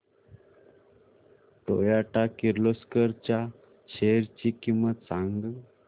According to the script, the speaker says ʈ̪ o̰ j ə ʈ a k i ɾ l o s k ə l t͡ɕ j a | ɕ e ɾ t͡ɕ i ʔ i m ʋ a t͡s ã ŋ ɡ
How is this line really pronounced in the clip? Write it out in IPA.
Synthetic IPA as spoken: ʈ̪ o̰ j a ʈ a k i ɾ l o s k ə ɾ t͡ɕ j a | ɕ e ɾ t͡ɕ i k i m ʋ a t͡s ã ŋ ɡ